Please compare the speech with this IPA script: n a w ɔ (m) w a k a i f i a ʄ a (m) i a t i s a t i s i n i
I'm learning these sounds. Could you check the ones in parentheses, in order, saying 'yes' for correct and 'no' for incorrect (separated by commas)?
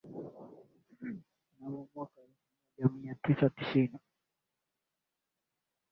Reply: yes, yes